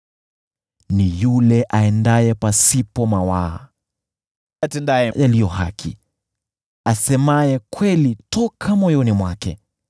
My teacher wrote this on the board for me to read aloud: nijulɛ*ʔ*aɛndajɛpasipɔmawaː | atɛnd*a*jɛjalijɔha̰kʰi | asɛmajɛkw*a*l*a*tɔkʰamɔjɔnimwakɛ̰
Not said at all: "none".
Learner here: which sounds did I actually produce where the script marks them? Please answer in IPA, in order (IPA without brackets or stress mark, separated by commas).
ʔ, a, ɛ, i